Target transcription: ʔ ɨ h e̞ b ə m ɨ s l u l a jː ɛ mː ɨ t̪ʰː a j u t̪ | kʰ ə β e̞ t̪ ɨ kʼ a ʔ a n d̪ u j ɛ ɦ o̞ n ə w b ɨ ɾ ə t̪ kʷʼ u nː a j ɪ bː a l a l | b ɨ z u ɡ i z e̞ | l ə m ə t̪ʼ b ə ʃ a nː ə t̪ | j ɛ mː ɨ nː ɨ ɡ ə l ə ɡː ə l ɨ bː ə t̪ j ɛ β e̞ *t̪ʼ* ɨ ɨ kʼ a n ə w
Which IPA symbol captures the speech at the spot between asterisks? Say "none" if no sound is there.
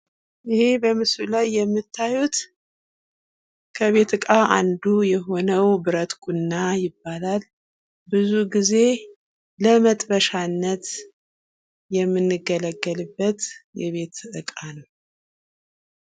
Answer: t̪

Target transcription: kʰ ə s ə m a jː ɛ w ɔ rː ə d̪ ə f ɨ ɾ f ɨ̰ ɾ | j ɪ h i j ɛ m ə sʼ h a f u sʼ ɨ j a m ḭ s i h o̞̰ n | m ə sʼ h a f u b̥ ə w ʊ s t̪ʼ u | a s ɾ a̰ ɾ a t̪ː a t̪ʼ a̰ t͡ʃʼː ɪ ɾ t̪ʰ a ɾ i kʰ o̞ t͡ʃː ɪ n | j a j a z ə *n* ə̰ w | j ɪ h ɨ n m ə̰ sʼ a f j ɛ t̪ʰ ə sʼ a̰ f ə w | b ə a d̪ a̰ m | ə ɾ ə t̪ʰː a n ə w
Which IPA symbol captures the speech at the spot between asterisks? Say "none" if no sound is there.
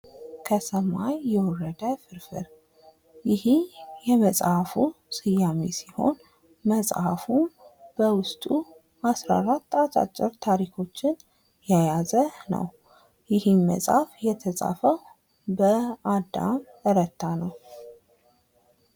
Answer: n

